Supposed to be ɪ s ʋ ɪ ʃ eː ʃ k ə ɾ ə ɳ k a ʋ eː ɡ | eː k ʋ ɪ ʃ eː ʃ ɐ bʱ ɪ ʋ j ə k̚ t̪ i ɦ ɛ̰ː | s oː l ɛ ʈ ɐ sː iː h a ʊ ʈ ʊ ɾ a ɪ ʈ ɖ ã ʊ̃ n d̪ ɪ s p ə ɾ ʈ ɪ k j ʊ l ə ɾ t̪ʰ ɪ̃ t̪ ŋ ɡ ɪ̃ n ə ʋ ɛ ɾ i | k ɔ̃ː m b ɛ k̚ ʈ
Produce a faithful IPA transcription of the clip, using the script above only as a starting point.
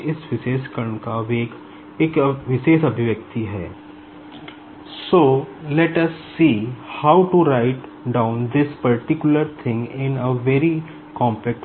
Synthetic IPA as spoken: ɪ s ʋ ɪ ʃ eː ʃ k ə ɾ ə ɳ k a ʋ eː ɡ | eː k ʋ ɪ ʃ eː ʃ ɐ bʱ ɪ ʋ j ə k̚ t̪ i ɦ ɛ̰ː | s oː l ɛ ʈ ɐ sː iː h a ʊ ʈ u ɾ a ɪ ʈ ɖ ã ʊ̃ n d̪ ɪ s p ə ɾ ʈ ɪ k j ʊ l ə ɾ t̪ʰ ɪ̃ ŋ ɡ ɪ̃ n ə ʋ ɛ ɾ i | k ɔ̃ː m p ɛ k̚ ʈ

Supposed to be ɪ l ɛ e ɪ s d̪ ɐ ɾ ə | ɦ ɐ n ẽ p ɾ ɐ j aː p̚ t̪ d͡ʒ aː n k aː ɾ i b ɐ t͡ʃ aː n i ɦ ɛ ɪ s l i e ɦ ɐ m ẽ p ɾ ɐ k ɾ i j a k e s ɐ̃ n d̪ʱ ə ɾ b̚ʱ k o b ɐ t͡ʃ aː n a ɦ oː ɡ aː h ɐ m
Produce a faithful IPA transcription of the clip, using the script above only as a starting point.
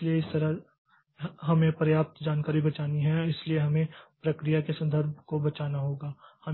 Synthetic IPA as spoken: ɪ l i e ɪ s t̪ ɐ ɾ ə | ɦ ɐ m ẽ p ɾ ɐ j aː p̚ t̪ d͡ʒ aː n k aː ɾ i b ɐ t͡ʃ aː n i ɦ ɛ ɪ s l i e ɦ ɐ m ẽ p ɾ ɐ k ɾ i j a k e s ɐ̃ n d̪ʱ ə ɾ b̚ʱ k o b ɐ t͡ʃ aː n a ɦ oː ɡ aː h ɐ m

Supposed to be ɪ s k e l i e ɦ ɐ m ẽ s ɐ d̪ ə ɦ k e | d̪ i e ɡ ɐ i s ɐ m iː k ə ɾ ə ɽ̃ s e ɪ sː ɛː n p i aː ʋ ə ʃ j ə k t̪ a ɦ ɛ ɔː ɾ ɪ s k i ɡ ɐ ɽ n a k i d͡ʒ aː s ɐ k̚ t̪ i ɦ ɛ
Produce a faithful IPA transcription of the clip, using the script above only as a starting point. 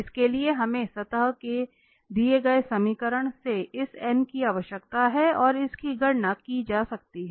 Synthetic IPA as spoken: ɪ s k e l i e ɦ ɐ m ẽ s ɐ t̪ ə ɦ k e | d̪ i e ɡ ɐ e s ɐ m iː k ə ɾ ə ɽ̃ s e ɪ s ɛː n k i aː ʋ ə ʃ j ə k t̪ a ɦ ɛ ɔː ɾ ɪ s k i ɡ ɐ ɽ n a k i d͡ʒ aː s ɐ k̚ t̪ i ɦ ɛ

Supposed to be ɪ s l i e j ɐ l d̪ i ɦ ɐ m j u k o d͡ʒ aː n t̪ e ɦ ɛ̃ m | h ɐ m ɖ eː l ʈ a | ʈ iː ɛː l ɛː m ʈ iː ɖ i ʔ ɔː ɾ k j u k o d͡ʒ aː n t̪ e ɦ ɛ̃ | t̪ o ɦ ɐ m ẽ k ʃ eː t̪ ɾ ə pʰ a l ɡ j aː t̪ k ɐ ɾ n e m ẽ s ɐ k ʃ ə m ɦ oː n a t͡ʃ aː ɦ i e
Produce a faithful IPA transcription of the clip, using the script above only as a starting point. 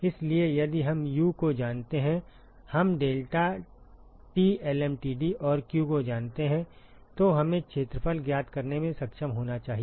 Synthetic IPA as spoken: ɪ s l i e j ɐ d̪ i ɦ ɐ m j u k o d͡ʒ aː n t̪ e ɦ ɛ̃ | h ɐ m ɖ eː l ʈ a | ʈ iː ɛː l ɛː m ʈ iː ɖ i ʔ ɔː ɾ k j u k o d͡ʒ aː n t̪ e ɦ ɛ̃ | t̪ o ɦ ɐ m ẽ k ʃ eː t̪ ɾ ə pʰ ə l ɡ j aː t̪ k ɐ ɾ n e m ẽ s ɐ k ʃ ə m ɦ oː n a t͡ʃ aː ɦ i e

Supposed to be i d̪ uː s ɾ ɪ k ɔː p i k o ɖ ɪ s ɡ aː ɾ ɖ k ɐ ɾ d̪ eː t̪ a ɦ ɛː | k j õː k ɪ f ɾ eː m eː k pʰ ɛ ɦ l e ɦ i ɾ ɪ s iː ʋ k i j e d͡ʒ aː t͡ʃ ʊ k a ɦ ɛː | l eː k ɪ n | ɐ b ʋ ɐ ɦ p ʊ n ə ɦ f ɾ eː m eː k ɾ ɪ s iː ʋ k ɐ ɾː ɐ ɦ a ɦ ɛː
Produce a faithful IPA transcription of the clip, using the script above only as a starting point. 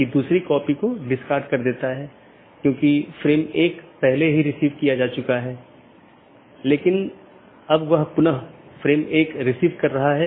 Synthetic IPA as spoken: i d̪ uː s ɾ i k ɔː p i k o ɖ ɪ s k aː ɾ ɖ k ɐ ɾ d̪ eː t̪ a ɦ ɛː | k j õː k i f ɾ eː m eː k p ɛ ɦ l e ɦ i ɾ ɪ s iː ʋ k i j a d͡ʒ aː t͡ʃ ʊ k a ɦ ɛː | l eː k ɪ n | ɐ b ʋ ɐ ɦ p ʊ n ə ɦ f ɾ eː m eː k ɾ ɪ s iː ʋ k ɐ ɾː ɐ ɦ a ɦ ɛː

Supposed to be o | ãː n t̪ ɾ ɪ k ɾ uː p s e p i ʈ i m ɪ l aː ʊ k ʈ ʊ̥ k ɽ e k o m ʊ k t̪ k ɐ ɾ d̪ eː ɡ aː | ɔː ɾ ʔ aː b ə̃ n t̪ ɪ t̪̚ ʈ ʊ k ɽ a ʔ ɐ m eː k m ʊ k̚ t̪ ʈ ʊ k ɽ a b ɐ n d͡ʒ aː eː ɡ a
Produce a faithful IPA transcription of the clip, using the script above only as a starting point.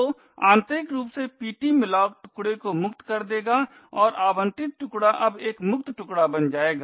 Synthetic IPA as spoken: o | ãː n t̪ ɾ ɪ k ɾ uː p s e p iː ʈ i m ɪ l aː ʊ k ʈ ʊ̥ k ɽ e k o m ʊ k t̪ k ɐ ɾ d̪ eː ɡ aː | ɔː ɾ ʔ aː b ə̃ n t̪ ɪ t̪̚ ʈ ʊ k ɽ a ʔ ɐ b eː k m ʊ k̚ t̪ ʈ ʊ k ɽ a b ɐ n d͡ʒ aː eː ɡ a

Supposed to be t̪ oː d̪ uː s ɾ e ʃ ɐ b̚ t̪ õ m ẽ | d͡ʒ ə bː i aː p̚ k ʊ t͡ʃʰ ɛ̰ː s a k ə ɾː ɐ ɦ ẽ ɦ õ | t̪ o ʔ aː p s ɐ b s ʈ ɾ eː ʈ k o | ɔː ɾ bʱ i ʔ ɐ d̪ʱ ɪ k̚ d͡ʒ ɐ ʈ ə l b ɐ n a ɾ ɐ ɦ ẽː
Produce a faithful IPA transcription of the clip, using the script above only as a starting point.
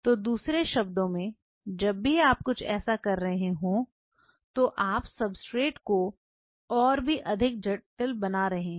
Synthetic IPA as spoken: t̪ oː d̪ uː s ɾ e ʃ ɐ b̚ d̪ õ m ẽ | d͡ʒ ɐ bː i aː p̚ k ʊ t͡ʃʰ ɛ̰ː s a k ɐ ɾː ɐ ɦ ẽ ɦ õ | t̪ o ʔ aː p s ɐ b s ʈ ɾ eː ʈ k o | ɔː ɾ bʱ i ʔ ɐ d̪ʱ ɪ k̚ d͡ʒ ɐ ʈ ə l b ɐ n a ɾ ɐ ɦ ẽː

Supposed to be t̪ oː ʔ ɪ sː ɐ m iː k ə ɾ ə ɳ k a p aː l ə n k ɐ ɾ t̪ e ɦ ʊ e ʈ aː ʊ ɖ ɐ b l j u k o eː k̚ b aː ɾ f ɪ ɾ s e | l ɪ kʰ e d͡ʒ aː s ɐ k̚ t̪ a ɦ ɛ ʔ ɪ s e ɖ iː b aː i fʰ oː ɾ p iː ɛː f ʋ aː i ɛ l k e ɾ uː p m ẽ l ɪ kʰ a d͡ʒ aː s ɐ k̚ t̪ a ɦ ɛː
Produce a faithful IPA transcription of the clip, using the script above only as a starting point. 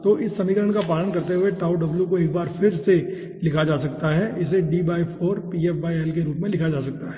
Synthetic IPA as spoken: t̪ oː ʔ ɪ sː ɐ m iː k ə ɾ ə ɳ k a p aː l ə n k ɐ ɾ t̪ e ɦ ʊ e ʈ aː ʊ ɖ ɐ b l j u k o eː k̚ b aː ɾ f ɪ ɾ s e | l ɪ kʰ a d͡ʒ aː s ɐ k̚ t̪ a ɦ ɛ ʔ ɪ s e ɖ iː b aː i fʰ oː ɾ p iː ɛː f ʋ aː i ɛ l k e ɾ uː p m ẽ l ɪ kʰ a d͡ʒ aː s ɐ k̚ t̪ a ɦ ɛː

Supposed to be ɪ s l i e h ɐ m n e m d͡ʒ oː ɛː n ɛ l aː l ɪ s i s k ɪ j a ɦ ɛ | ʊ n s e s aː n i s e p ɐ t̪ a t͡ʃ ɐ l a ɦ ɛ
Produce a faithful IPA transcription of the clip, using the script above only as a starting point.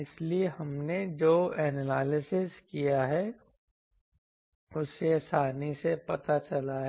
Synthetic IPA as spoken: ɪ s l i e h ɐ m n e d͡ʒ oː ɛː n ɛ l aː l ɪ s ɪ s k i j a ɦ ɛ | ʊ s e s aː n i s e p ɐ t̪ a t͡ʃ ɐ l a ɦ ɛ

